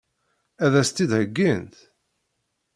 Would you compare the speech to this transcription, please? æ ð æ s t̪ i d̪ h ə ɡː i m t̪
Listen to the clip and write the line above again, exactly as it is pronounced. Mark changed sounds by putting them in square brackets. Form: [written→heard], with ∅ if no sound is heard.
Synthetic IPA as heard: æ ð æ s t̪ i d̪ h ə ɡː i [m→n] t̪